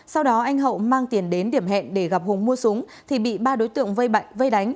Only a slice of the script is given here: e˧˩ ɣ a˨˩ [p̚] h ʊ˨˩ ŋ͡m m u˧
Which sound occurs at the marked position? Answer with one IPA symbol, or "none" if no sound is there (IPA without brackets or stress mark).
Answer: p̚